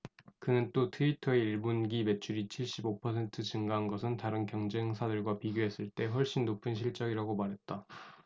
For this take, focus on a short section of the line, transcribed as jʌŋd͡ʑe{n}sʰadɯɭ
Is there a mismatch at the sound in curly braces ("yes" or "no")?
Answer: yes